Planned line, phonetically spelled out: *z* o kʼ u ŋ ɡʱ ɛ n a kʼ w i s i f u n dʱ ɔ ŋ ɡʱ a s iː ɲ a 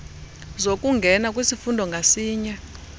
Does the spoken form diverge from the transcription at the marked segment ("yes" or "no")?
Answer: no